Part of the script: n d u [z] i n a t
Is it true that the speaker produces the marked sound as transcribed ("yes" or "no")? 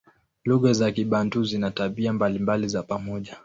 yes